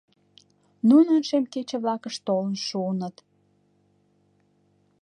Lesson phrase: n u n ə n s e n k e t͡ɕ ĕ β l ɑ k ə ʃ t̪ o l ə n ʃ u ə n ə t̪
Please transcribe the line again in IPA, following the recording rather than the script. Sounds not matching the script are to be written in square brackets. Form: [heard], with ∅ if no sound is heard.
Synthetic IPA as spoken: n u n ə n [ʃ] e [m] k e t͡ɕ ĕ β l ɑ k ə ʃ t̪ o l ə n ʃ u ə n ə t̪